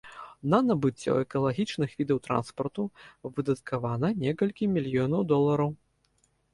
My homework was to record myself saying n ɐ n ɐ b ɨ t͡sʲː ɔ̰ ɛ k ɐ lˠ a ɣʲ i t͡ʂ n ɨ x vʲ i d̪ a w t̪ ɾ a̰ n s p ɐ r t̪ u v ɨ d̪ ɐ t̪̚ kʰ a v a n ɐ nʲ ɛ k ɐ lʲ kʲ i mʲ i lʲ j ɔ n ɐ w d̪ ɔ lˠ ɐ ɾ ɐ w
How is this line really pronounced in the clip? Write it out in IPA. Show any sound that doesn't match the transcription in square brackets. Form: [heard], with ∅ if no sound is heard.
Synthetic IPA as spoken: n ɐ n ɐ b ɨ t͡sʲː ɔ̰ ɛ k ɐ lˠ a ɣʲ i t͡ʂ n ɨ x vʲ i d̪ [ɐ] w t̪ ɾ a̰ n s p ɐ r t̪ u v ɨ d̪ ɐ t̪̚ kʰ a v a n ɐ nʲ ɛ k ɐ lʲ kʲ i mʲ i lʲ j ɔ n ɐ w d̪ ɔ lˠ ɐ ɾ ɐ w